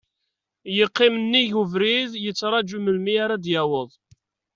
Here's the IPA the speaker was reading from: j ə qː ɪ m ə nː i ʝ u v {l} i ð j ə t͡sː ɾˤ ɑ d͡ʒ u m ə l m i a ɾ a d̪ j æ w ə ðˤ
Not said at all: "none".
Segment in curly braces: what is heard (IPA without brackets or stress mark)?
ɾ